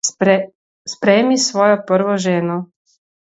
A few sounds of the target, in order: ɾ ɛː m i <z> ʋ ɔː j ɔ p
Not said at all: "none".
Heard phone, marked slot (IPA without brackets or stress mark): s